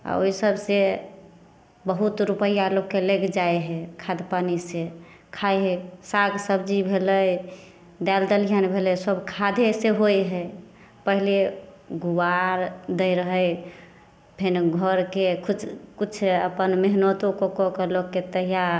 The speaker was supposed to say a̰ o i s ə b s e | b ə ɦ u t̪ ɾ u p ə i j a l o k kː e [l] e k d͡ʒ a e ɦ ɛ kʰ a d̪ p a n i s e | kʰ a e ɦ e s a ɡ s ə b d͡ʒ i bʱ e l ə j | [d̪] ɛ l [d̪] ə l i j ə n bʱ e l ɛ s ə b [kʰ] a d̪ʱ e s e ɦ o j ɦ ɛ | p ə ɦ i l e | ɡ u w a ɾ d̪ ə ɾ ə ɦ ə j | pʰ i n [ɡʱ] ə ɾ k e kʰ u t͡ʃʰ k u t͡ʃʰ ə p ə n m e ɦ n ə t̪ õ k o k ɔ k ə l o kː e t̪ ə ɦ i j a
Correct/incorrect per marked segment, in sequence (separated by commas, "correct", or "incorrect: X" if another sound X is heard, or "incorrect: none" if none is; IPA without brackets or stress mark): correct, correct, correct, correct, correct